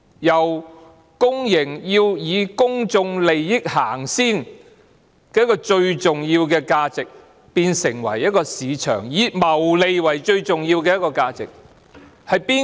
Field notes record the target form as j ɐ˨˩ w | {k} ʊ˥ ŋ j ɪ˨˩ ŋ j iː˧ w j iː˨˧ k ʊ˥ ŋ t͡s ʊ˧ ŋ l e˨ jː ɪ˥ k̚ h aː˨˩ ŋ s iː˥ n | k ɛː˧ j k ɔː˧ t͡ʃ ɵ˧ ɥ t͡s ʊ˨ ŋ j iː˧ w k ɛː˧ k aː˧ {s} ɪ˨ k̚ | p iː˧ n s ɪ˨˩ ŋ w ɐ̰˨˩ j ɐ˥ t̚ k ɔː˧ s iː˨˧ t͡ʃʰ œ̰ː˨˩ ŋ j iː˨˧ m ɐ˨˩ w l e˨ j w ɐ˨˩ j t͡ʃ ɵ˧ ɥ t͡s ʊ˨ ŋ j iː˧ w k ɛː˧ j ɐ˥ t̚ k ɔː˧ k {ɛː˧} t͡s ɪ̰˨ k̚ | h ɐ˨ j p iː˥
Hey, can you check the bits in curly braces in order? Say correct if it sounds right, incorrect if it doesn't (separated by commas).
correct, incorrect, incorrect